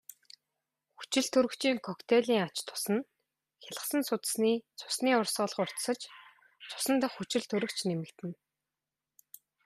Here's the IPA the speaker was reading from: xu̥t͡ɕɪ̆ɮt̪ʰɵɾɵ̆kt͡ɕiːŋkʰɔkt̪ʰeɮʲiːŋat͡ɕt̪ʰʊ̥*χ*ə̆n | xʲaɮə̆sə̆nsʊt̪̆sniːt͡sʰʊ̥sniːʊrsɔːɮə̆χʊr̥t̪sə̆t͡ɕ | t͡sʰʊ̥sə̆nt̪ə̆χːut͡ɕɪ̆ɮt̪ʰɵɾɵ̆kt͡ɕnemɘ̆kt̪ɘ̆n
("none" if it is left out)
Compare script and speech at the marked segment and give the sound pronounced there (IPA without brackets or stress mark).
s